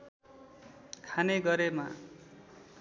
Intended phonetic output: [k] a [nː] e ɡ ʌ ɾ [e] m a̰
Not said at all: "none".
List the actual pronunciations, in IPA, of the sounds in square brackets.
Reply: kʰ, n, e

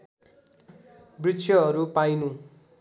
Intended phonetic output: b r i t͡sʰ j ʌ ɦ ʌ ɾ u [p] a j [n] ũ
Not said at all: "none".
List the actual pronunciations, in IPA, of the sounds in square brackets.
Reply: p, n

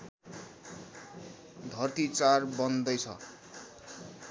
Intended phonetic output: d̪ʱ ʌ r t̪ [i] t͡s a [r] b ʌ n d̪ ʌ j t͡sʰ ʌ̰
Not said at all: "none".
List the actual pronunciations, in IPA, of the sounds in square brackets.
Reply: i, r

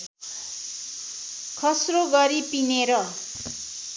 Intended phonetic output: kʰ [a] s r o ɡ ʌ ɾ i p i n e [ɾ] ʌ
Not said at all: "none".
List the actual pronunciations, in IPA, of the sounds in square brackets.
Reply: ʌ, ɾ

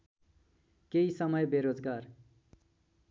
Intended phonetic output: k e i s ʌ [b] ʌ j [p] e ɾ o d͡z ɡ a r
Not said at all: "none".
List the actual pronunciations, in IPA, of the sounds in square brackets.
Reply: m, b

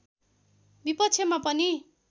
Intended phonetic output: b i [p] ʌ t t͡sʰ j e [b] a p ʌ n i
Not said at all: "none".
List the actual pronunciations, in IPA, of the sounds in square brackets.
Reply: p, m

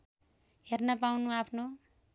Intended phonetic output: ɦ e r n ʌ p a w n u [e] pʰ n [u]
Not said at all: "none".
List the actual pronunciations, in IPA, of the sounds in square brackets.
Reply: a, o

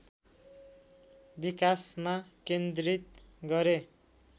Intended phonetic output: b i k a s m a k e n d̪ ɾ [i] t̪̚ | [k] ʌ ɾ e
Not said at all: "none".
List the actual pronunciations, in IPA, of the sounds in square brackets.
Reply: i, ɡ

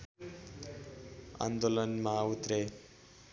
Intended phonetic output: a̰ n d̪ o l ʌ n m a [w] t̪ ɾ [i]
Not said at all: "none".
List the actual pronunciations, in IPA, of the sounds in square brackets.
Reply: u, e

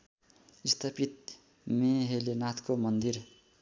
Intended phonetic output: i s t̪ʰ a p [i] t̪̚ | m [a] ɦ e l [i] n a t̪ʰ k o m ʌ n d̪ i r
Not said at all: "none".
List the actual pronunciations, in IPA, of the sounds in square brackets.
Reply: i, e, e

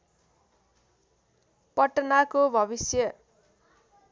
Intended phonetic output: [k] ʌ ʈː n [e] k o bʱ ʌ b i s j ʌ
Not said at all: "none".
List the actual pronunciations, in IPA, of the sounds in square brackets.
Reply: p, a

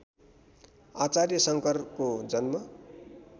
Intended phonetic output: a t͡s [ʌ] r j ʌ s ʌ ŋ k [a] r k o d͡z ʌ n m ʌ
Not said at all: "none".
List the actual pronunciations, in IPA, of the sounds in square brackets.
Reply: a, ʌ

